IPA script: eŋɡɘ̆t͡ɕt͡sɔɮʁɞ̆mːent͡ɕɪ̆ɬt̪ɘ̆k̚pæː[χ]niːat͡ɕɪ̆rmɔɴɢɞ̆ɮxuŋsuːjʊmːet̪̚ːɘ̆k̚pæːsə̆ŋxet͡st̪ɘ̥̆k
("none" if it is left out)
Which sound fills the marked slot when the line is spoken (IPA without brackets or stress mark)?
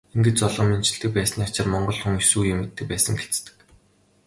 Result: s